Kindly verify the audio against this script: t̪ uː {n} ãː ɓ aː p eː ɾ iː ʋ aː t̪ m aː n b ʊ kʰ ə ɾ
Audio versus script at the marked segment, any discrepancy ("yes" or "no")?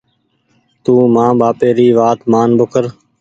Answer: yes